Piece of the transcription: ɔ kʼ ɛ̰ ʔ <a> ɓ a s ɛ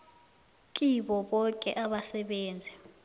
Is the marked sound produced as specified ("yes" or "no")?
yes